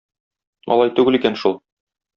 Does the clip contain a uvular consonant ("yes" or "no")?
no